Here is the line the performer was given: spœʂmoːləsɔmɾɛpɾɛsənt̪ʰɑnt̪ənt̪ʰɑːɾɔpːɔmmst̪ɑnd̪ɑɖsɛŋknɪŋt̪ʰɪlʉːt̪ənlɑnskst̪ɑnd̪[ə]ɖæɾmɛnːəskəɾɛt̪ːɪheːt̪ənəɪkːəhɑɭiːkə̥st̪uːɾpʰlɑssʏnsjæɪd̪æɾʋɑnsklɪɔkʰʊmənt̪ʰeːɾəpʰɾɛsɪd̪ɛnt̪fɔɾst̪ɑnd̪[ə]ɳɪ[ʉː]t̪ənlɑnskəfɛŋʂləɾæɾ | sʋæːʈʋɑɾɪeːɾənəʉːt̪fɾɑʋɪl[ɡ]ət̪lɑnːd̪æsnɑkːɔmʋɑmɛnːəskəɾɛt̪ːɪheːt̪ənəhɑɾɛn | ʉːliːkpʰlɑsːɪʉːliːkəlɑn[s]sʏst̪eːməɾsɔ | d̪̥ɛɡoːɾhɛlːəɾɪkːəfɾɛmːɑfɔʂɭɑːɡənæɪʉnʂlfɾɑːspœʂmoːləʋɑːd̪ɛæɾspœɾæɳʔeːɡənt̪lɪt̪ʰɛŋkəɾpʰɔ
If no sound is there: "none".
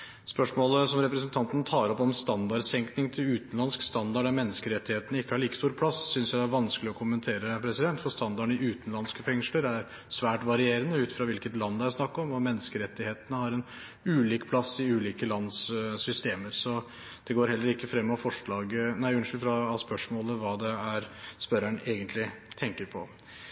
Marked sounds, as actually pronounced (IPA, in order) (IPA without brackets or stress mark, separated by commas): ɑ, ɑ, ʉː, k, s